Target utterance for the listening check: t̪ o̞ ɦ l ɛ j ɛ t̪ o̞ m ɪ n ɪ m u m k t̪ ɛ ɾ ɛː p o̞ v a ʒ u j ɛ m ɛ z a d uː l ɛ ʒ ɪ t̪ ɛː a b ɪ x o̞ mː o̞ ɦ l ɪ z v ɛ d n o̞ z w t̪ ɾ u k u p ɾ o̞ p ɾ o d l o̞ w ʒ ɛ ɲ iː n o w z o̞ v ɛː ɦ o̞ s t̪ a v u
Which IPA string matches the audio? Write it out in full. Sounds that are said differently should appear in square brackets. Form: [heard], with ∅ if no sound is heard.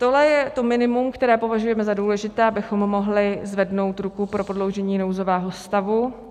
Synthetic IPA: t̪ o̞ ɦ l ɛ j ɛ t̪ o̞ m ɪ n ɪ m u m k t̪ ɛ ɾ ɛː p o̞ v a ʒ u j ɛ m ɛ z a d uː l ɛ ʒ ɪ t̪ ɛː a b ɪ x o̞ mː o̞ ɦ l ɪ z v ɛ d n o̞ [∅] w t̪ ɾ u k u p ɾ o̞ p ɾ o d l o̞ w ʒ ɛ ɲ iː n o w z o̞ v ɛː ɦ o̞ s t̪ a v u